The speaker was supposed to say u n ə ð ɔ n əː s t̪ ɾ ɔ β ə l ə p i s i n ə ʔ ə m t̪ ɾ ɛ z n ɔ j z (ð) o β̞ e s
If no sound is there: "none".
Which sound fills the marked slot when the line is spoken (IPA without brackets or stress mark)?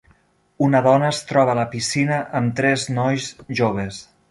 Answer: ʒ